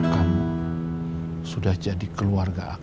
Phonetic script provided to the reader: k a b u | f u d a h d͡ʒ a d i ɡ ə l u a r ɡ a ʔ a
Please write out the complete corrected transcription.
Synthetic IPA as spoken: k a m u | s u d a h d͡ʒ a d i k ə l u a r ɡ a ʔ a